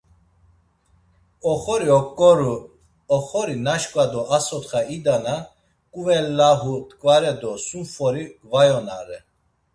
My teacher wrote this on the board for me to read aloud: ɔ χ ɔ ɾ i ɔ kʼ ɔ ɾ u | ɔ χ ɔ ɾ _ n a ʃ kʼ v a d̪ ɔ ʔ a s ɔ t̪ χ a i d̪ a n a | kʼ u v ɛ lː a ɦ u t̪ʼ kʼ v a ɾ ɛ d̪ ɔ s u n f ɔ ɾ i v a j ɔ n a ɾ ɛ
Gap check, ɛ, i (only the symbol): i